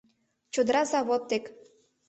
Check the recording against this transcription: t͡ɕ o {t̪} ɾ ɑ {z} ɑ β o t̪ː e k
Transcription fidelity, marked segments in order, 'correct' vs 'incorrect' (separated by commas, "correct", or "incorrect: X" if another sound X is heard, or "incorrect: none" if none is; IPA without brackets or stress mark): incorrect: d̪, correct